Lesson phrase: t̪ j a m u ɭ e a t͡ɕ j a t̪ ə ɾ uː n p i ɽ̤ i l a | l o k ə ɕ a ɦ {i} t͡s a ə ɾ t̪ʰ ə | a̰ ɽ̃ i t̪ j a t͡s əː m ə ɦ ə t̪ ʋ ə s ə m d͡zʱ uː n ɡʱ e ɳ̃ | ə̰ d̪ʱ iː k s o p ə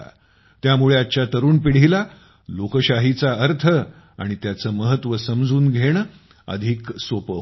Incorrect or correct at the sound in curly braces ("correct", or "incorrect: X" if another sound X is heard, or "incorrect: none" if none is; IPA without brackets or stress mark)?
correct